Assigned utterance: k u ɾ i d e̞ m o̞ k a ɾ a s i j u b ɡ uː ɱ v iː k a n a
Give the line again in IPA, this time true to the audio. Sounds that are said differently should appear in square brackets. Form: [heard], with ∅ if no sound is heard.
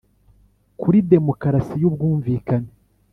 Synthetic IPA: k u ɾ i d e̞ m o̞ k a ɾ a s i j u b ɡ uː ɱ v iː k a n [e]